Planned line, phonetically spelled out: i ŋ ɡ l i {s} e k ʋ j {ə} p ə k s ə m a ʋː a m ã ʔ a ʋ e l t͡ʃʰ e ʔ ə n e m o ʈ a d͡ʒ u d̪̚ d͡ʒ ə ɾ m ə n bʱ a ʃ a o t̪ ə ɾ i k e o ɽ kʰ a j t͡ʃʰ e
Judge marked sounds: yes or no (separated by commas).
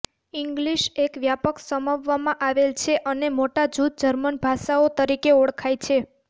no, no